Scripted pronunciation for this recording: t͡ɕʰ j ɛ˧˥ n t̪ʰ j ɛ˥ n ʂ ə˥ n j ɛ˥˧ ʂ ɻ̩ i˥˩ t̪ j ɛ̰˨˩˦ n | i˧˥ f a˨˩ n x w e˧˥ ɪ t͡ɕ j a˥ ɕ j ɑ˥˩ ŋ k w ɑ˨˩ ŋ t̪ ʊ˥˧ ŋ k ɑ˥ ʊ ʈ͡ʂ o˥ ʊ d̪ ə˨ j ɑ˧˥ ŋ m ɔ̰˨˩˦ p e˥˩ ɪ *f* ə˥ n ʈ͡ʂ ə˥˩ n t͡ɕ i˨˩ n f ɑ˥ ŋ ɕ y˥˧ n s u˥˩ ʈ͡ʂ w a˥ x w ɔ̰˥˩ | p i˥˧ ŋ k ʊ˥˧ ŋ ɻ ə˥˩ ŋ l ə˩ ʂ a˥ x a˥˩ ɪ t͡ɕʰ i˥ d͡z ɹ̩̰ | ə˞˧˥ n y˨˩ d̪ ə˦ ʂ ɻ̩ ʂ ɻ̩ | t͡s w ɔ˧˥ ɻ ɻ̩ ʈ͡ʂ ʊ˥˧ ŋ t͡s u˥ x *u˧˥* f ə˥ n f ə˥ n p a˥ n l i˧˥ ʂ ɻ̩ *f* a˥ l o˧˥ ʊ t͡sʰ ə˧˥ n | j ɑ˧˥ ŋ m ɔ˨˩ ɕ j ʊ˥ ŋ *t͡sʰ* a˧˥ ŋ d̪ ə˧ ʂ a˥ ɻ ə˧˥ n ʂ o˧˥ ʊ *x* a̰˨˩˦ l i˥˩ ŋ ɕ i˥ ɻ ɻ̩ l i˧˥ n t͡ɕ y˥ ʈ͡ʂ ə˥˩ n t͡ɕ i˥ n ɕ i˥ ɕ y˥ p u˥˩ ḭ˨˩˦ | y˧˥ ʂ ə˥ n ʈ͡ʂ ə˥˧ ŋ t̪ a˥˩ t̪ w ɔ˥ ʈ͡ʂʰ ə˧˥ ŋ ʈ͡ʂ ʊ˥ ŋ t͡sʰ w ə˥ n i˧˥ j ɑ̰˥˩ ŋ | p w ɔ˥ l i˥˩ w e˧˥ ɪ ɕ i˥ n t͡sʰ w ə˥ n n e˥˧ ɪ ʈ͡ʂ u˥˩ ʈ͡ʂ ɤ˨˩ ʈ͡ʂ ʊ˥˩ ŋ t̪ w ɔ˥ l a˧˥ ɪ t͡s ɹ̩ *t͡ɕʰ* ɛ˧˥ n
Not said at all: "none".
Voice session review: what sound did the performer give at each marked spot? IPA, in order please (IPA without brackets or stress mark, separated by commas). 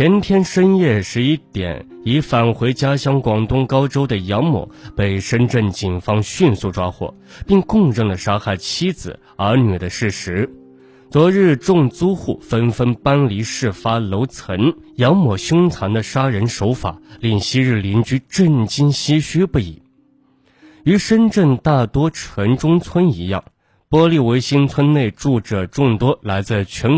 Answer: ʂ, u˥˩, f, t͡sʰ, f, t͡ɕʰ